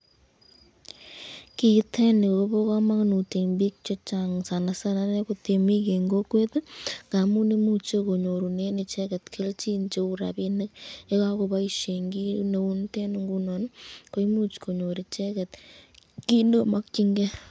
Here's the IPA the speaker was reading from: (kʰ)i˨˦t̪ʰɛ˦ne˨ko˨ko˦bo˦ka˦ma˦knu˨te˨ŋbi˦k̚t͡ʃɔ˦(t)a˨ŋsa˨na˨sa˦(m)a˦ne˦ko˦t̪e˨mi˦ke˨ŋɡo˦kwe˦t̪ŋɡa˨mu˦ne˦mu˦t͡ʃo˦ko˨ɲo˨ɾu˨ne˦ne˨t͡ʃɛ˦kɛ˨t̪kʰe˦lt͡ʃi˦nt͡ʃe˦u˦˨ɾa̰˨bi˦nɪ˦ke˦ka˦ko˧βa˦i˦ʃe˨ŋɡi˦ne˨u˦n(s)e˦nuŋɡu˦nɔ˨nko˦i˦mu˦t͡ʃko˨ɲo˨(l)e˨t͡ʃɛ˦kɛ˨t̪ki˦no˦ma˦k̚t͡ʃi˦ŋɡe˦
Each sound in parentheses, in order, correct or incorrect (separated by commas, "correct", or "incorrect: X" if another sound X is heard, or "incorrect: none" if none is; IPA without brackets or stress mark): incorrect: k, incorrect: t͡ʃ, incorrect: n, incorrect: t, incorrect: ɾ